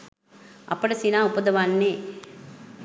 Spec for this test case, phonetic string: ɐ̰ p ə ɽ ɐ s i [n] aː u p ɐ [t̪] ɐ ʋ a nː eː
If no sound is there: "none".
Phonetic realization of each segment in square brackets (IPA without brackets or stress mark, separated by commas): n, d̪